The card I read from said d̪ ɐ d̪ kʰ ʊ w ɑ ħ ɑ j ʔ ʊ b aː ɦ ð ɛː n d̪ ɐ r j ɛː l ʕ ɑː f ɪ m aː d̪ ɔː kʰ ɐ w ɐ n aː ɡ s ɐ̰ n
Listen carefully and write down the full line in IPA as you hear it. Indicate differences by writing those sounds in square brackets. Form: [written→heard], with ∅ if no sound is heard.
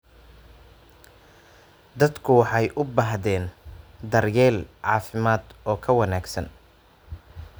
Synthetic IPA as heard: d̪ ɐ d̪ kʰ ʊ w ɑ ħ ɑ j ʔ ʊ b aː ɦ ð ɛː n d̪ ɐ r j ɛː l ʕ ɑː f ɪ m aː d̪ ɔː kʰ ɐ w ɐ n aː ɡ s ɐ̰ n

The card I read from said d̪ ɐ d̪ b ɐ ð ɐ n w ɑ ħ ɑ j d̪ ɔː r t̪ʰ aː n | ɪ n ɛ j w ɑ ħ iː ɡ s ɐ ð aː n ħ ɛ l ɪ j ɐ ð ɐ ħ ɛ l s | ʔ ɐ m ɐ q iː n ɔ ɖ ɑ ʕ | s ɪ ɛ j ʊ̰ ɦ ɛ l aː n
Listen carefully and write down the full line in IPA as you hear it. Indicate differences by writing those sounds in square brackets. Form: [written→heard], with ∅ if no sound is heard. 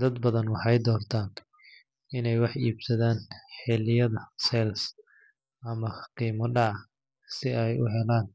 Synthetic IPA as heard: d̪ ɐ d̪ b ɐ ð ɐ n w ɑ ħ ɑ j d̪ ɔː r t̪ʰ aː n | ɪ n ɛ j w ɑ ħ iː [ɡ→b] s ɐ ð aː n ħ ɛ l ɪ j ɐ ð ɐ [ħ→s] ɛ l s | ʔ ɐ m ɐ q iː [n→m] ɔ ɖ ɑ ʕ | s ɪ ɛ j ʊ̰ ɦ ɛ l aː n

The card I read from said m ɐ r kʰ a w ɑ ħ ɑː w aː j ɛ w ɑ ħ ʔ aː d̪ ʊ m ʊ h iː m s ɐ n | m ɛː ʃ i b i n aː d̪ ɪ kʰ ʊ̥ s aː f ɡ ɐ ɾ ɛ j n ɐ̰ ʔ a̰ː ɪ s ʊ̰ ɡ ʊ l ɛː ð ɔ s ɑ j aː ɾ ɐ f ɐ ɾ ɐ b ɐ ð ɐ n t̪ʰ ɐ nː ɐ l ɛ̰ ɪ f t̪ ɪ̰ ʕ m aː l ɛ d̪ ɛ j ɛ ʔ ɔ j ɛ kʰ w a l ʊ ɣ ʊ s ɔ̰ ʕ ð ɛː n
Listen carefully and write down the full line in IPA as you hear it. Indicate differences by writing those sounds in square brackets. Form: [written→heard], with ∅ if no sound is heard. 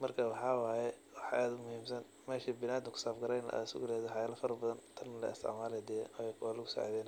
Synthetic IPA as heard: m ɐ r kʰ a w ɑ ħ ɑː w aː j ɛ w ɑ ħ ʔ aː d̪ ʊ m ʊ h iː m s ɐ n | m ɛː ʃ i b [i→ɪ] n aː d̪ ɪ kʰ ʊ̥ s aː f ɡ ɐ ɾ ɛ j n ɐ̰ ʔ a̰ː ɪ s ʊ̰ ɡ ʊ l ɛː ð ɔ [s→ħ] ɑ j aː [ɾ→l] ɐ f ɐ ɾ ɐ b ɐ ð ɐ n t̪ʰ ɐ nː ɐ l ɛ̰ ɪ [f→s] t̪ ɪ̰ ʕ m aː l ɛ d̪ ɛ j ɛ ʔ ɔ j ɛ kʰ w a l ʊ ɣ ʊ s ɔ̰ ʕ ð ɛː n

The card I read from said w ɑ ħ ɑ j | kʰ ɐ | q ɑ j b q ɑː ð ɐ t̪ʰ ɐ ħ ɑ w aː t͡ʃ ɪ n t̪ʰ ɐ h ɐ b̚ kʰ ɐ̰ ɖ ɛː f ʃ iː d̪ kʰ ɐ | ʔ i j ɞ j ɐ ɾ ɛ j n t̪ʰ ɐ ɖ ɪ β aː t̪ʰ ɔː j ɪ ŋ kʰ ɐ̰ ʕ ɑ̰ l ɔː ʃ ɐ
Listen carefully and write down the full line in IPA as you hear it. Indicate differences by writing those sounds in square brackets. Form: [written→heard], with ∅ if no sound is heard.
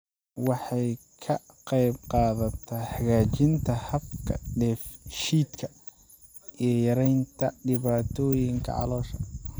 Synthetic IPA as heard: w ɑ ħ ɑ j | kʰ ɐ | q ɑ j b q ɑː ð ɐ t̪ʰ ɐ ħ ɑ [w→ɣ] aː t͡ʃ ɪ n t̪ʰ ɐ h ɐ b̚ kʰ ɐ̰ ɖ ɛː f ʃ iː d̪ kʰ ɐ | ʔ i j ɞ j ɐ ɾ ɛ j n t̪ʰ ɐ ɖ ɪ β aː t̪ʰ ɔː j ɪ ŋ kʰ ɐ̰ ʕ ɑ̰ l ɔː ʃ ɐ

